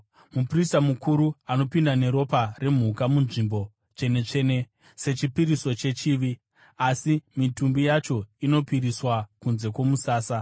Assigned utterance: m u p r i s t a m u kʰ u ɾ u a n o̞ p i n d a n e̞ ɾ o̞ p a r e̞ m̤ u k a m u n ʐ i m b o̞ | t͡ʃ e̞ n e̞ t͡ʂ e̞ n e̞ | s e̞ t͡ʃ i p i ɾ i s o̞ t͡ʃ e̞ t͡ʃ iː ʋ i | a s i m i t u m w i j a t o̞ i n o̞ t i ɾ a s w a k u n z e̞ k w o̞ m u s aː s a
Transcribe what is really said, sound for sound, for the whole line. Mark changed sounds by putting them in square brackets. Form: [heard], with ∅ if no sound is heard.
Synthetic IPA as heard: m u p r i s t a m u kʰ u ɾ u a n o̞ p i n d a n e̞ ɾ o̞ p a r e̞ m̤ u k a m u n ʐ i m b o̞ | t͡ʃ e̞ n e̞ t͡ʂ e̞ n e̞ | s e̞ t͡ʃ i p i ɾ i s o̞ t͡ʃ e̞ t͡ʃ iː ʋ i | a s i m i t u m [b] i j a [t͡ʃ] o̞ i n o̞ [p] i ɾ [i] s w a k u n z e̞ k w o̞ m u s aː s a